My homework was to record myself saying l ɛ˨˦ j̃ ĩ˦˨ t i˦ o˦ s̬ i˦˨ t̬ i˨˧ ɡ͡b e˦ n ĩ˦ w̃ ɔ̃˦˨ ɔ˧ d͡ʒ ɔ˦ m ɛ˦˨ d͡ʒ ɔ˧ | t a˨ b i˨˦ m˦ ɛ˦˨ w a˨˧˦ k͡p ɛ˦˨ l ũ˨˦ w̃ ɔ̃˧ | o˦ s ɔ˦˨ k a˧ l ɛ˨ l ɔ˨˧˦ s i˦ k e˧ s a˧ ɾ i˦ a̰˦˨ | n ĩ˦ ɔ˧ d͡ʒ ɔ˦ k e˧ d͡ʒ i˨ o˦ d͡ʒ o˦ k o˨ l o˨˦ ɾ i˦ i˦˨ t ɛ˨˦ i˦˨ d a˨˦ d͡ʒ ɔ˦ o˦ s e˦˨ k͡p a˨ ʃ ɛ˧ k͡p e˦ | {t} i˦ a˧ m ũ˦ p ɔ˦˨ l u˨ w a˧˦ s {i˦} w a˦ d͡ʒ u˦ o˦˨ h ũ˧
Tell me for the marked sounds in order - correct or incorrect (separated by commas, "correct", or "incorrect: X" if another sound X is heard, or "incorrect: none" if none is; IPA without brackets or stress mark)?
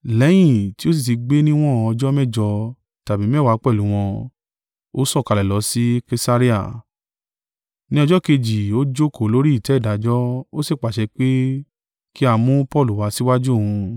incorrect: k, correct